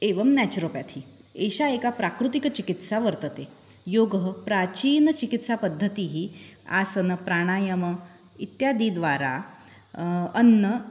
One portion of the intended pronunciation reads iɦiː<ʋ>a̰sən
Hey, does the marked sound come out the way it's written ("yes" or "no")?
no